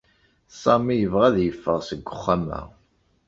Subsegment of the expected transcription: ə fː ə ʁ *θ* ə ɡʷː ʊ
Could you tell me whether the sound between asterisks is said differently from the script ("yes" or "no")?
yes